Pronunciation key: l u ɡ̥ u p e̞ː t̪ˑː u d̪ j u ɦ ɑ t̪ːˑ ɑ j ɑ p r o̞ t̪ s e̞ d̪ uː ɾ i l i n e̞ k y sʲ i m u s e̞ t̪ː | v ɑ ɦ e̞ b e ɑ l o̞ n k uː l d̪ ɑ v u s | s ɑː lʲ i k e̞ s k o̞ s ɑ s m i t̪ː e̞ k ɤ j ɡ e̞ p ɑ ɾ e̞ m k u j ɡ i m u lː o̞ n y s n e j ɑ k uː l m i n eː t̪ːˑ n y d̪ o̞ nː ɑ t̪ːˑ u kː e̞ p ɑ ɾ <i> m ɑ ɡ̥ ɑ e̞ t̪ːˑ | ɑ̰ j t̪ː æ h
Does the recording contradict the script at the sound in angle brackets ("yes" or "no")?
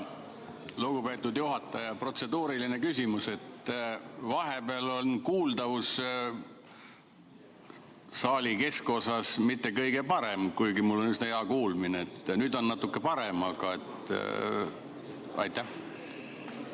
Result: yes